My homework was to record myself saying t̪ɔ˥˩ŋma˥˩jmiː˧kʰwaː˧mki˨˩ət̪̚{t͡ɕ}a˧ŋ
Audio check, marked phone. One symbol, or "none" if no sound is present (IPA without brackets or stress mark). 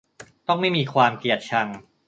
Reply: t͡ɕʰ